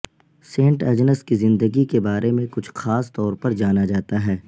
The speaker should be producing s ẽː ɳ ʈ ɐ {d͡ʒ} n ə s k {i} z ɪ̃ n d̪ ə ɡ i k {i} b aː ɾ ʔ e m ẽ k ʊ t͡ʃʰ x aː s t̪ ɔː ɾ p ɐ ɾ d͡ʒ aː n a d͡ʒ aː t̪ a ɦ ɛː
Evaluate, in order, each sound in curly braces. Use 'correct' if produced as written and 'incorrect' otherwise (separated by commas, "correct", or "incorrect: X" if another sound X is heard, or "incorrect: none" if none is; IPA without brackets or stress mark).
correct, correct, incorrect: e